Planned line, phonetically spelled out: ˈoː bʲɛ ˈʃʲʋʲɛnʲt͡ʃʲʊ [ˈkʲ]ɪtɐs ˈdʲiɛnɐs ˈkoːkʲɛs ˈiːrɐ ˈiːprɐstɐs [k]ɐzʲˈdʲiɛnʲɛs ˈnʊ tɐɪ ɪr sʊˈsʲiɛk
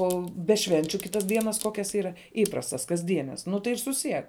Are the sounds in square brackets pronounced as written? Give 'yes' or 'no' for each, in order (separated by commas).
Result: yes, yes